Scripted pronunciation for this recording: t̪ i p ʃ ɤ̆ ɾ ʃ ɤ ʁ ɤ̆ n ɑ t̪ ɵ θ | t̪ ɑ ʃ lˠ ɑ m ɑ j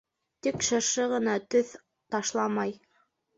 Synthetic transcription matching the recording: t̪ i k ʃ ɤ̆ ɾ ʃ ɤ ʁ ɤ̆ n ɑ t̪ ɵ θ | t̪ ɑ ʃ lˠ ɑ m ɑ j